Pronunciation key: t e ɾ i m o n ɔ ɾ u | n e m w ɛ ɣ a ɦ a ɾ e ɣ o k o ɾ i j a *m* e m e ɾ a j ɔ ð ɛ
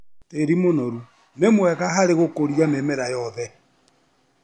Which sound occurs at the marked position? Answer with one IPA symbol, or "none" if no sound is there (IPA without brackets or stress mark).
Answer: m